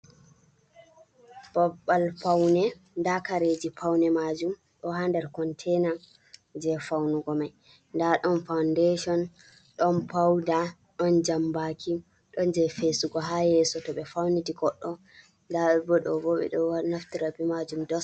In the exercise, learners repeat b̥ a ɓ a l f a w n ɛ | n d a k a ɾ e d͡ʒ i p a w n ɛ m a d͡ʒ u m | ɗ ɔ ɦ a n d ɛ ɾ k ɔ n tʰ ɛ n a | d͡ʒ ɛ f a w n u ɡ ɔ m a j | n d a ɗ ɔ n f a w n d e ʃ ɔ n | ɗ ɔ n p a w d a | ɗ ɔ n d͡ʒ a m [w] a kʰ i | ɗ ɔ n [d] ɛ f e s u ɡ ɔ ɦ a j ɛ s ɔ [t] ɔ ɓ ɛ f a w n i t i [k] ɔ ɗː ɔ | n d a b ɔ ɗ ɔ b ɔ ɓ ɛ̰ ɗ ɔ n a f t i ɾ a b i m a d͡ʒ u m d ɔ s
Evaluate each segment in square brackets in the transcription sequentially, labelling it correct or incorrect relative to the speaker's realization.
incorrect, incorrect, correct, incorrect

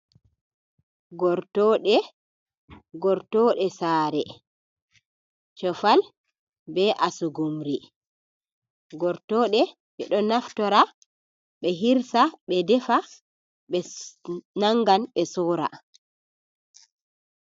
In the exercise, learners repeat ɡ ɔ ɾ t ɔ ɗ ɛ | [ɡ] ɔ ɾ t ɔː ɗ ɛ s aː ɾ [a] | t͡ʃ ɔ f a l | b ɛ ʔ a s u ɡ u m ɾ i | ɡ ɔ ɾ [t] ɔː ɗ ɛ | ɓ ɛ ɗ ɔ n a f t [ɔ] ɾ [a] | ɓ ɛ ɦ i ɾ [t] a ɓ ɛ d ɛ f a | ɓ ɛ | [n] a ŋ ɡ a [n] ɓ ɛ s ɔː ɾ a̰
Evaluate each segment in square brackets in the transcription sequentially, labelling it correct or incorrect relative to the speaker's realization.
correct, incorrect, correct, correct, correct, incorrect, correct, correct

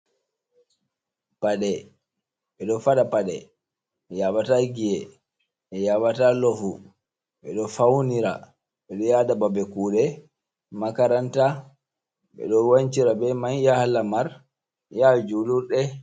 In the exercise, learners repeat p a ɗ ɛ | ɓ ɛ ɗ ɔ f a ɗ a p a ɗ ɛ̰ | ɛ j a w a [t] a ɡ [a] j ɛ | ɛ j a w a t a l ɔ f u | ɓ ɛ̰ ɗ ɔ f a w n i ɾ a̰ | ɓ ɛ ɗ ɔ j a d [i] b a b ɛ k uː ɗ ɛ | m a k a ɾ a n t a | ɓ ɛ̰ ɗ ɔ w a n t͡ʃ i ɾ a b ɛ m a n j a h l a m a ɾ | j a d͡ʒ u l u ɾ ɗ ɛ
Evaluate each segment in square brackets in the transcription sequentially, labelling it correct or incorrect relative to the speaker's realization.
correct, incorrect, incorrect

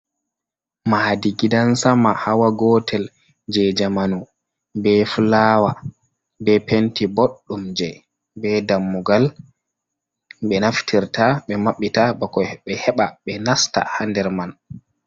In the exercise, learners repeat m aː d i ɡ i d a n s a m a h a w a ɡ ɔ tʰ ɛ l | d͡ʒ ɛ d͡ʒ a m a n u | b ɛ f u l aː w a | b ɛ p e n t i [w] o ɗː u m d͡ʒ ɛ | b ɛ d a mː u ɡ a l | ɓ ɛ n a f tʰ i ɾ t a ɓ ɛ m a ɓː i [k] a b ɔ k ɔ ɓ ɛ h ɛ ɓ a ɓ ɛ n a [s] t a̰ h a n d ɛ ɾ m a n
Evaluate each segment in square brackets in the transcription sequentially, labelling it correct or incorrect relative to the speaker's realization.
incorrect, incorrect, correct

